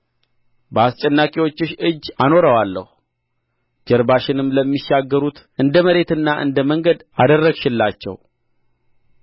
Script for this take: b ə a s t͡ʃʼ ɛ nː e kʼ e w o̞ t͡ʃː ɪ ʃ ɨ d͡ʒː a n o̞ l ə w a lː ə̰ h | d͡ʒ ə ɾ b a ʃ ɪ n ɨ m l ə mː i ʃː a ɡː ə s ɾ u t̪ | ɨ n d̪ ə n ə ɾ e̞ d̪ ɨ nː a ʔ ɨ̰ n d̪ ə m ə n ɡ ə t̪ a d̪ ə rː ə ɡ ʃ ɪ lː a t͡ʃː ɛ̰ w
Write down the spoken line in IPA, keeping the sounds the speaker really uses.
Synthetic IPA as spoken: b ə a s t͡ʃʼ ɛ nː a kʼ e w o̞ t͡ʃː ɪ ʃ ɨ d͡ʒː a n o̞ ɾ ə w a lː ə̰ h | d͡ʒ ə ɾ b a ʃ ɪ n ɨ m l ə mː i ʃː a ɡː ə ɾ u t̪ | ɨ n d̪ ə m ə ɾ e̞ t̪ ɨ nː a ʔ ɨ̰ n d̪ ə m ə ŋ ɡ ə d̪ a d̪ ə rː ə ɡ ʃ ɪ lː a t͡ʃː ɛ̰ w